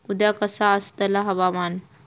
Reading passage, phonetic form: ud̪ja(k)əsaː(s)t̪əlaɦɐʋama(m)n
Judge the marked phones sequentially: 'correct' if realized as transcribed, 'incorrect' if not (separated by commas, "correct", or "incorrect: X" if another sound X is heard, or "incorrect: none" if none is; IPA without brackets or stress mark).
correct, correct, incorrect: none